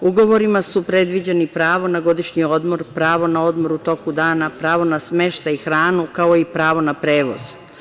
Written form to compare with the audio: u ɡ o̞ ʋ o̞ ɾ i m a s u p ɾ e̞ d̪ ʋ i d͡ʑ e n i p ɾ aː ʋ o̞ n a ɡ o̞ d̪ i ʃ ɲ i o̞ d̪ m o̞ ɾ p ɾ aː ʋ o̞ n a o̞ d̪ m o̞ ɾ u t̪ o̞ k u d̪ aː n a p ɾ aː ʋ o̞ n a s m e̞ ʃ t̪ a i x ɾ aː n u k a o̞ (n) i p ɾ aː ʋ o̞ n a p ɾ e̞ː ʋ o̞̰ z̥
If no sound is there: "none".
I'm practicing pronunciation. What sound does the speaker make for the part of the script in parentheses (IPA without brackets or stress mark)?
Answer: none